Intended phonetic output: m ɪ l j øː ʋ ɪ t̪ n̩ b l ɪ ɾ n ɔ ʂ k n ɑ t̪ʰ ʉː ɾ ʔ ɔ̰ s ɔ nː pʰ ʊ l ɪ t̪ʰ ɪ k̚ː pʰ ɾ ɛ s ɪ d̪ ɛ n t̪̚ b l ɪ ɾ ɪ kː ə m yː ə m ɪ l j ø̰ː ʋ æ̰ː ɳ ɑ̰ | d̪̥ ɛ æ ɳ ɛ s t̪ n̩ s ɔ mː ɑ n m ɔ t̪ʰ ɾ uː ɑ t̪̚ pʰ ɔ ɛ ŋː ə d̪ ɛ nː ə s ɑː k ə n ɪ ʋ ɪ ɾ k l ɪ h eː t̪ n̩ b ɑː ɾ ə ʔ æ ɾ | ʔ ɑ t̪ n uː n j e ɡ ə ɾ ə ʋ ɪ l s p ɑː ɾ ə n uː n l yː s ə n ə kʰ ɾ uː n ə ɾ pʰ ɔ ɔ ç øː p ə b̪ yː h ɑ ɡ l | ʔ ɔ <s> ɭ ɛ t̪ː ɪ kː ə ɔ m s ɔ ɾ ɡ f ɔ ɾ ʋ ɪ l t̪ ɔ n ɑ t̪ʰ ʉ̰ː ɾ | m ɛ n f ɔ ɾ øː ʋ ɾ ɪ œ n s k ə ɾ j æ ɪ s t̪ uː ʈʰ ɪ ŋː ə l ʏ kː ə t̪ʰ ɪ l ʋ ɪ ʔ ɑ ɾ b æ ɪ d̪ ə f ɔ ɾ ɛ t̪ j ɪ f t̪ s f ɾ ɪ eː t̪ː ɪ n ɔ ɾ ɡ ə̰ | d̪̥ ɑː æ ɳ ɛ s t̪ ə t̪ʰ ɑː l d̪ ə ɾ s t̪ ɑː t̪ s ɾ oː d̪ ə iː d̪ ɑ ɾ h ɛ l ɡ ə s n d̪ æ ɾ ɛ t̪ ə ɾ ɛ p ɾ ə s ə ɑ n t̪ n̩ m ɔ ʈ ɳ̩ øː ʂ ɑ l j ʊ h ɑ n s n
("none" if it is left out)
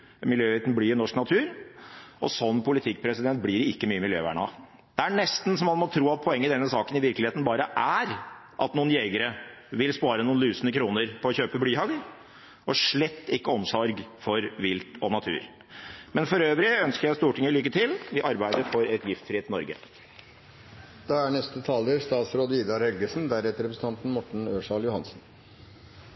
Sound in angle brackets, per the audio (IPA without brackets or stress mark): ʂ